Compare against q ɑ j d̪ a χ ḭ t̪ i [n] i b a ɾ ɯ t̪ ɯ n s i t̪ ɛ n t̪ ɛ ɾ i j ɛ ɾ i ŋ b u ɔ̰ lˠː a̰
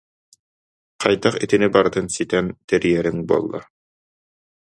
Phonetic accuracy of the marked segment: correct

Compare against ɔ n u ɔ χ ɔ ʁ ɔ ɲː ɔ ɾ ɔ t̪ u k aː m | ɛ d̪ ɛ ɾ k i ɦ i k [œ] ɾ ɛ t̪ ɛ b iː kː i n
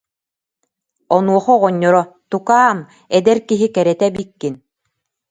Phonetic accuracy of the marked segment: incorrect: ɛ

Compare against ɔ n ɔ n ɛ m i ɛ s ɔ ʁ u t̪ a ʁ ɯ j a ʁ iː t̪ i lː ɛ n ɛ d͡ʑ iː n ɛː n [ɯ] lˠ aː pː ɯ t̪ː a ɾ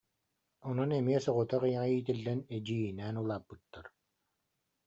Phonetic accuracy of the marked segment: incorrect: u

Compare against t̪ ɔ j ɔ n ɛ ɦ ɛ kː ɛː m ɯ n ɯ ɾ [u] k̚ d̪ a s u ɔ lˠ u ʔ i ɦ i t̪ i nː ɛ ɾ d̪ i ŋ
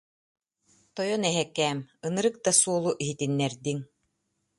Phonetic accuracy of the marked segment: incorrect: ɯ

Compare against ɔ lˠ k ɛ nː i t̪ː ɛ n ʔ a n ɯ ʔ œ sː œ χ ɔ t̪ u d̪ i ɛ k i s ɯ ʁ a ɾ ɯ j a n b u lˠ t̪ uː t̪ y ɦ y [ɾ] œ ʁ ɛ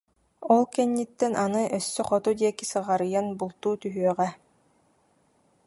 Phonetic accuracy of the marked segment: incorrect: none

